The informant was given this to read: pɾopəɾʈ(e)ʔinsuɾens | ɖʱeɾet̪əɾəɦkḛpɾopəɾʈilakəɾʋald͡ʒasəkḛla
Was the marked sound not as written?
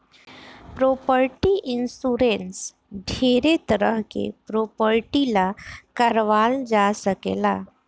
yes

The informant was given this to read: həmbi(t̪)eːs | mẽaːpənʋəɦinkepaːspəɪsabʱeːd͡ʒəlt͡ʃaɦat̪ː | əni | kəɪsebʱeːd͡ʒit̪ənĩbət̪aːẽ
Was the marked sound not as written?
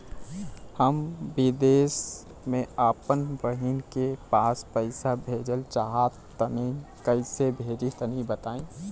yes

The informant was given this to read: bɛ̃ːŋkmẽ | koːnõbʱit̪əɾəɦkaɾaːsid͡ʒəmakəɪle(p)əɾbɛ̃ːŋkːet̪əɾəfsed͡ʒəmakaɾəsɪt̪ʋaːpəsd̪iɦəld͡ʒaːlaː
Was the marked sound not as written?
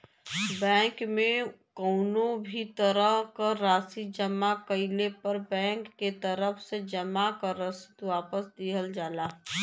no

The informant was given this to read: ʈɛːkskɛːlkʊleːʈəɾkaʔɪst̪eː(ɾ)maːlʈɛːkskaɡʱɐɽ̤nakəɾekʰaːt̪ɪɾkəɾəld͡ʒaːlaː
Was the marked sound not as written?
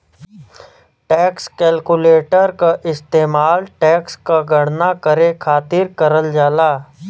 yes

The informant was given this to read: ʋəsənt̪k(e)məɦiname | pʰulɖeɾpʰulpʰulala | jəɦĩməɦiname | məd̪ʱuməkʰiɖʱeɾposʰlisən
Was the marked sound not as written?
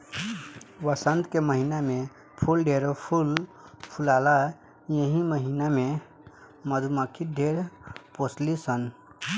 no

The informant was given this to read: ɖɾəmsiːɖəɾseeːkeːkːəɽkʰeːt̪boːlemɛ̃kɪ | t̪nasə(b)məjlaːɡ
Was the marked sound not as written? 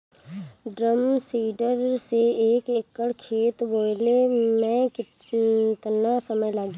yes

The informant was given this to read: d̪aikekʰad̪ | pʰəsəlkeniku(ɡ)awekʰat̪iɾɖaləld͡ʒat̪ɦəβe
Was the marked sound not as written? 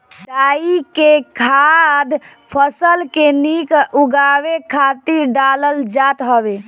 no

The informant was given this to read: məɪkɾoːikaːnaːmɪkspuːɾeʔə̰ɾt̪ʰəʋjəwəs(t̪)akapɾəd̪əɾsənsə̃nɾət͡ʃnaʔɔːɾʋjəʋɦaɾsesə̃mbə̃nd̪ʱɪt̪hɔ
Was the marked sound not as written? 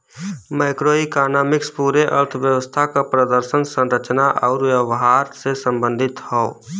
yes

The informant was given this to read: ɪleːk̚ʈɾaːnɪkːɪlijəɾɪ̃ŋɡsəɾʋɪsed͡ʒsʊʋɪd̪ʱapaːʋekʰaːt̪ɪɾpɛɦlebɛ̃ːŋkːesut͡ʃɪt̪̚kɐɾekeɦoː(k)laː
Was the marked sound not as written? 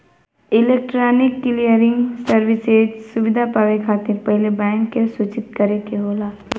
yes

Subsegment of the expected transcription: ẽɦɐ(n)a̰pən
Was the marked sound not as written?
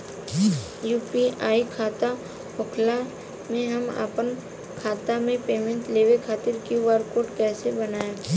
yes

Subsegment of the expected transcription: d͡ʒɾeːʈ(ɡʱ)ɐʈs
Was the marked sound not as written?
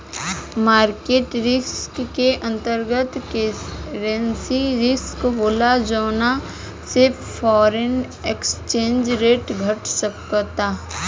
no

